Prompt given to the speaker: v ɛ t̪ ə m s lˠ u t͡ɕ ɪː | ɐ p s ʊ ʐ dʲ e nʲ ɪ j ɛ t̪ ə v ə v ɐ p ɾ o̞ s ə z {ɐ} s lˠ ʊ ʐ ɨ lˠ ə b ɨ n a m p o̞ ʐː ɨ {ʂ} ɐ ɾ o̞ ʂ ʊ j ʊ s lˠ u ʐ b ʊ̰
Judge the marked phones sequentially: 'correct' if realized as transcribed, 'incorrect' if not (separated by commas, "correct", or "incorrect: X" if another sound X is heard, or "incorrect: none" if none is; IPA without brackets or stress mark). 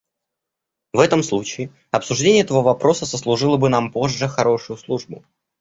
incorrect: ə, incorrect: x